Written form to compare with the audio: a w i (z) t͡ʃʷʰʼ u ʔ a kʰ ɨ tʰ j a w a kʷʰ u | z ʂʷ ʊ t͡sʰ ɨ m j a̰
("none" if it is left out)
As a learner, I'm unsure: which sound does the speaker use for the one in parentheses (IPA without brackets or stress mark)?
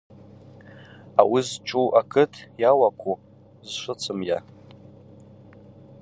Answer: z